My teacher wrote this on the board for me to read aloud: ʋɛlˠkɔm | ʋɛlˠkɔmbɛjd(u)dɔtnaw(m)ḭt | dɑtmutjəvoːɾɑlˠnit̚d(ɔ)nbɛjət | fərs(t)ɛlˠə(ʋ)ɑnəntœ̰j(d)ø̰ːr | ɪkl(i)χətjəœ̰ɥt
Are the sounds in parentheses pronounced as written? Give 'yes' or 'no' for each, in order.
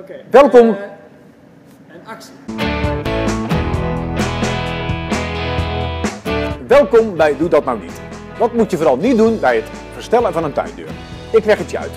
yes, no, no, yes, no, yes, no

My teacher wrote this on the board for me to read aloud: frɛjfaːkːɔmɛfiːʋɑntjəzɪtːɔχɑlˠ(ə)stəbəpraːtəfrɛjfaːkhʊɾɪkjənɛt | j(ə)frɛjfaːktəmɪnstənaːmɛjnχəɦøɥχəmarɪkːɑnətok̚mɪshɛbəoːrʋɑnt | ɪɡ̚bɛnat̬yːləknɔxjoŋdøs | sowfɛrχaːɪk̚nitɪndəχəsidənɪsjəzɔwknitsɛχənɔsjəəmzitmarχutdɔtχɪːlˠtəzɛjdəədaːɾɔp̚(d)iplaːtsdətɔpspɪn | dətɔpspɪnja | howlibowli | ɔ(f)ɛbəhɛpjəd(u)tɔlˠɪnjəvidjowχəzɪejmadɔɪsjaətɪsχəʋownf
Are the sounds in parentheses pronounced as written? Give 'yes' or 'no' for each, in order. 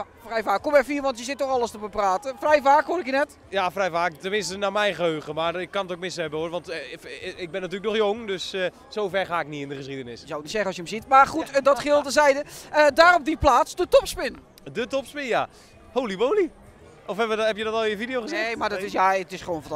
yes, no, yes, yes, no

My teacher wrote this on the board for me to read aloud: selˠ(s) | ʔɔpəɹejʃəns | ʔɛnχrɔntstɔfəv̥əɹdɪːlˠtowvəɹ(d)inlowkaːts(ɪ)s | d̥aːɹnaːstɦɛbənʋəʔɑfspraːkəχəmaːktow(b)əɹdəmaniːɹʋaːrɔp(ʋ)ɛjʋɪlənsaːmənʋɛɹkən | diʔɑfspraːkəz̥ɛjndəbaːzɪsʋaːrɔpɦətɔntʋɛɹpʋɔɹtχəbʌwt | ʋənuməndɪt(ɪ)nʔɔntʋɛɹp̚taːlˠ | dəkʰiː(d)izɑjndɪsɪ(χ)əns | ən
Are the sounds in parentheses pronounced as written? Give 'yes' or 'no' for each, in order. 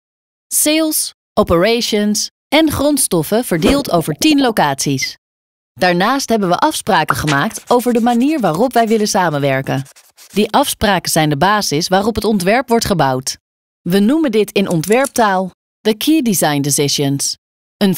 yes, no, no, no, yes, yes, yes, no

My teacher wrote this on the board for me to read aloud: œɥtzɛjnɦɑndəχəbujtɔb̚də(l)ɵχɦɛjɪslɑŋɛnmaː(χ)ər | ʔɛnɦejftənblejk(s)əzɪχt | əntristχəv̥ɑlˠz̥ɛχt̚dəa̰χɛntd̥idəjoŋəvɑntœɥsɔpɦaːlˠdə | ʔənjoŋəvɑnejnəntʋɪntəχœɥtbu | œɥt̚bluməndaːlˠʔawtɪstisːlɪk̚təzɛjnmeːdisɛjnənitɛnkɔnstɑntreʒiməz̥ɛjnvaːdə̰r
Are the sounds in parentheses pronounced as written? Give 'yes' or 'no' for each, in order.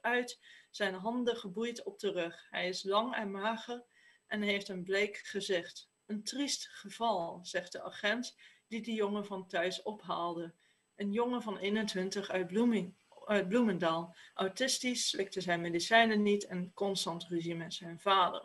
no, yes, no

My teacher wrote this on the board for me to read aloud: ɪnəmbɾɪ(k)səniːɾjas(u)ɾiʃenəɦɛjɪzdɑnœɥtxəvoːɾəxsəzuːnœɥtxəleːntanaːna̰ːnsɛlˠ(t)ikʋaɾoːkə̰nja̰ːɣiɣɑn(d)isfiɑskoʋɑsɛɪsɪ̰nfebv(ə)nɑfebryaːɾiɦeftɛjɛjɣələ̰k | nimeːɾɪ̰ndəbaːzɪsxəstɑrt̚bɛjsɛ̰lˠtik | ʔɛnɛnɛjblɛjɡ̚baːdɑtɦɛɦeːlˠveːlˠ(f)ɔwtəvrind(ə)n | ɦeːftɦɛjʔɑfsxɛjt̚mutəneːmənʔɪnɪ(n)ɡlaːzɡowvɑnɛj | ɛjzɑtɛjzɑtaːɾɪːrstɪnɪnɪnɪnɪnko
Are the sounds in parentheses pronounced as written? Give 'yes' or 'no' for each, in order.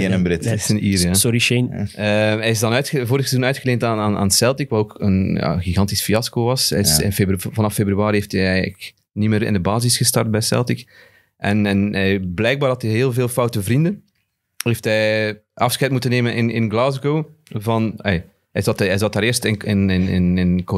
no, no, yes, no, no, yes, yes, yes

